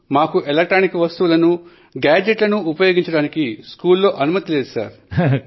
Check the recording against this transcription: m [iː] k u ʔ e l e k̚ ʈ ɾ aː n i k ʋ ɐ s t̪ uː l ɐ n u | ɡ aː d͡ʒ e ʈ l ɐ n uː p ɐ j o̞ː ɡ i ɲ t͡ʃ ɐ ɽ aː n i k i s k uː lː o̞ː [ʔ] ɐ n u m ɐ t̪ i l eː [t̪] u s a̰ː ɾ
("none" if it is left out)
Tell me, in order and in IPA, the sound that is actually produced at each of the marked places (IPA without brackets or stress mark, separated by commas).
aː, ʔ, d̪